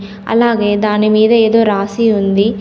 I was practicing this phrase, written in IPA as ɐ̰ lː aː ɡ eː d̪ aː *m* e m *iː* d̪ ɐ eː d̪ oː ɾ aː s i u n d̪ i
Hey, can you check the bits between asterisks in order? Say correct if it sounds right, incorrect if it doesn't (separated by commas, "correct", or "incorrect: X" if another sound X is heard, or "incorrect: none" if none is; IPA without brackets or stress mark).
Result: incorrect: n, correct